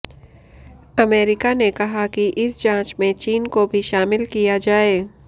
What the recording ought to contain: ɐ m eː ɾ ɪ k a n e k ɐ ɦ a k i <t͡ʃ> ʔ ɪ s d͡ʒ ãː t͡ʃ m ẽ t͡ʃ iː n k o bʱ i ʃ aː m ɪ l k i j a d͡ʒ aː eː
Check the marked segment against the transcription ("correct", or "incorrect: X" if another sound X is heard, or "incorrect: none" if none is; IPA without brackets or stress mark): incorrect: none